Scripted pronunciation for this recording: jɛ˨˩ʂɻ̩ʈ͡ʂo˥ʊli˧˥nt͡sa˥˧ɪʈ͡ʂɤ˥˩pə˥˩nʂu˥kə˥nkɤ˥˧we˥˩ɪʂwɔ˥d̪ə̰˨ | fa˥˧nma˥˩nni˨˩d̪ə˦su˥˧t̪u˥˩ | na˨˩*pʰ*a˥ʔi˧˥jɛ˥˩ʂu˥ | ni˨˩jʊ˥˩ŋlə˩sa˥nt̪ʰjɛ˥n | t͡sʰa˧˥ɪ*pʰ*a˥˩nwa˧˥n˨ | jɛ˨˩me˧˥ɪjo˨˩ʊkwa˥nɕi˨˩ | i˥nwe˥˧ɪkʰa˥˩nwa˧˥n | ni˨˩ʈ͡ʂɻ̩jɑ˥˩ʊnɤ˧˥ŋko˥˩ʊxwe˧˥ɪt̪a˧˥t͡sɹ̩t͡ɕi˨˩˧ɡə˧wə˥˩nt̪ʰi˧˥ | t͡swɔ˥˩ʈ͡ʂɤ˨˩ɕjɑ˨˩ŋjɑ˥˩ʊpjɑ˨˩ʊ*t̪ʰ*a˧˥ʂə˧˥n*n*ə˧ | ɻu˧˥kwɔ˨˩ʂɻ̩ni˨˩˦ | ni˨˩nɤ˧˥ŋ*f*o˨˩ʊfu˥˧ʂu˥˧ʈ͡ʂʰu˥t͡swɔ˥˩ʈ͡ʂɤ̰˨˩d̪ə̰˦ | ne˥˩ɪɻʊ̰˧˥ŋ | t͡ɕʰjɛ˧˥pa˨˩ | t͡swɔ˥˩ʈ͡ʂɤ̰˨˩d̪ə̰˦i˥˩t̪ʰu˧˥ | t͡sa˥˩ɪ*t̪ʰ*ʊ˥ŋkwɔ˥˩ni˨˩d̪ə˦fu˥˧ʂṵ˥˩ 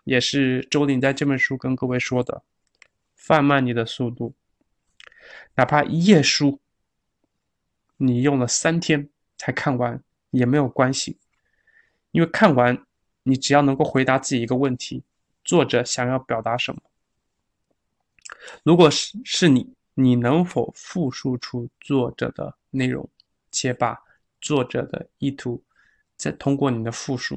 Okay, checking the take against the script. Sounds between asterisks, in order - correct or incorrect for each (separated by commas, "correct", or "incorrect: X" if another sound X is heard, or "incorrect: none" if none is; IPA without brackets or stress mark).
correct, incorrect: kʰ, incorrect: t̪, incorrect: m, correct, correct